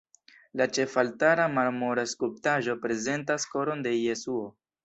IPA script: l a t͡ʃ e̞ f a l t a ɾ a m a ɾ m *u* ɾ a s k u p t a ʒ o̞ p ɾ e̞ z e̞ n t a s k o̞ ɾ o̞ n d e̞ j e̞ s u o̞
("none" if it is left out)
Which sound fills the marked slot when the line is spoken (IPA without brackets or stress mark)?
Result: o